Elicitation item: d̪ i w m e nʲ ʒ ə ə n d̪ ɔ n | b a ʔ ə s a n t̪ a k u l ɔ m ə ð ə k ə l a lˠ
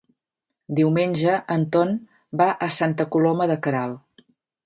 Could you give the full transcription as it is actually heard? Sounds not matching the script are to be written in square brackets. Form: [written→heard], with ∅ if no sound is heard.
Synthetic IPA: d̪ i w m e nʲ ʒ ə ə n [d̪→t̪] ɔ n | b a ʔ ə s a n t̪ [a→ə] k u l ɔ m ə ð ə k ə [l→ɾ] a lˠ